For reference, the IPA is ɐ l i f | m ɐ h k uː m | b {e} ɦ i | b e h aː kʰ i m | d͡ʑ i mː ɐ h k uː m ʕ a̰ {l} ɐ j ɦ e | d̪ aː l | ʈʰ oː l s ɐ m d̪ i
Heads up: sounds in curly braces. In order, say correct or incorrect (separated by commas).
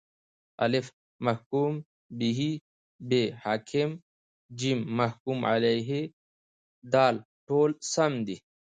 incorrect, correct